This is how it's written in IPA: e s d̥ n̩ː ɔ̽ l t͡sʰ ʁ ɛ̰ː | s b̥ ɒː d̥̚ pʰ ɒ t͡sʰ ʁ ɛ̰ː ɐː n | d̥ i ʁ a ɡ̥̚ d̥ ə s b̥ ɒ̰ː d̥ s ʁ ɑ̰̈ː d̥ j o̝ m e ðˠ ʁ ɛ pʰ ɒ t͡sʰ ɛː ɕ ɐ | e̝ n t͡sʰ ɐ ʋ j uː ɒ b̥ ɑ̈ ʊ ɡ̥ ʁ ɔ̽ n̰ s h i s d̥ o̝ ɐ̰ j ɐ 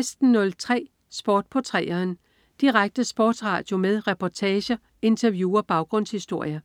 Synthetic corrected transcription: e s d̥ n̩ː ɔ̽ l t͡sʰ ʁ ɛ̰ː | s b̥ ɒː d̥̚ pʰ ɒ t͡sʰ ʁ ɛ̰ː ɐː n | d̥ i ʁ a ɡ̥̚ d̥ ə s b̥ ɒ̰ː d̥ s ʁ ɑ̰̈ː d̥ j o̝ m e ðˠ ʁ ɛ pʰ ɒ t͡sʰ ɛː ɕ ɐ | e̝ n t͡sʰ ɐ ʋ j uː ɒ b̥ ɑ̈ ʊ ɡ̥ ʁ ɔ̽ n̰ s h i s d̥ o̝ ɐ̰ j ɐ